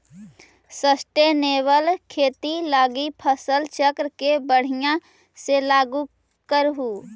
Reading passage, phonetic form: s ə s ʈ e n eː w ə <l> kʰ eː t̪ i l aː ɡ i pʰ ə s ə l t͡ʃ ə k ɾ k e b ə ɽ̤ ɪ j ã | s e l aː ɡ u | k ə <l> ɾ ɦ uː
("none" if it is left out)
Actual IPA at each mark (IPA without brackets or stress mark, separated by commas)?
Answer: l, none